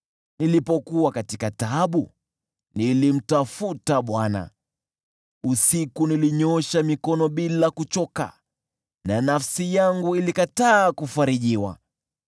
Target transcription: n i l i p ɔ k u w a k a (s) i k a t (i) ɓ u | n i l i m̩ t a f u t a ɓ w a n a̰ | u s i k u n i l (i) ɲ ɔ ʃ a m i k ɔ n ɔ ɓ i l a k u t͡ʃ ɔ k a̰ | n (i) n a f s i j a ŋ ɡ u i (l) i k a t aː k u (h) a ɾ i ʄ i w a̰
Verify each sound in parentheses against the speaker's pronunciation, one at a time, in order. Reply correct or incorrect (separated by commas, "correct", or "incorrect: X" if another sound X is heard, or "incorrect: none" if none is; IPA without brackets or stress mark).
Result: incorrect: t, incorrect: a, correct, incorrect: a, correct, incorrect: f